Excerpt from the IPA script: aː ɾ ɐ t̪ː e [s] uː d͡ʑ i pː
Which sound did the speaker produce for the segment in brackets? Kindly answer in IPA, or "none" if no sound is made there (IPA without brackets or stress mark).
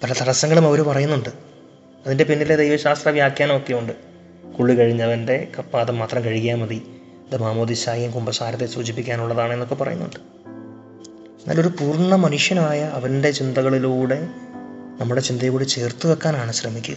s